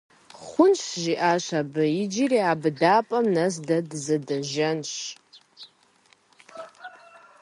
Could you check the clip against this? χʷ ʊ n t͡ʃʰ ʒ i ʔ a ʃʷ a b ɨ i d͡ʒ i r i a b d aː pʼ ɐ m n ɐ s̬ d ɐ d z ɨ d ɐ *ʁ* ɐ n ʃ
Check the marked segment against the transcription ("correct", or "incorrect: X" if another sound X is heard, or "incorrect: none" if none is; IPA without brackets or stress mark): incorrect: ʒ